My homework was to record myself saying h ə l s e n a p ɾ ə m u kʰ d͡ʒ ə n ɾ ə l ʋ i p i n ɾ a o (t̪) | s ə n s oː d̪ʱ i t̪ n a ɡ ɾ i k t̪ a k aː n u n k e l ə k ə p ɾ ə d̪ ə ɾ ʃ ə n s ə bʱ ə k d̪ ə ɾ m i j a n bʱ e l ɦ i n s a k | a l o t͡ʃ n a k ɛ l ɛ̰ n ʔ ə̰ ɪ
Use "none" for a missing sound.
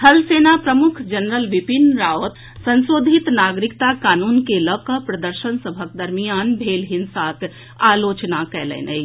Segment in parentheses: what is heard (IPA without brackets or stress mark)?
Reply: t̪